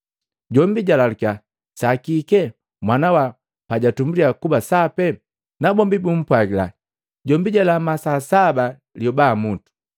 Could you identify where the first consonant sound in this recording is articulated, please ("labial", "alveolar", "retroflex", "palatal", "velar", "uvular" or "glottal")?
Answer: palatal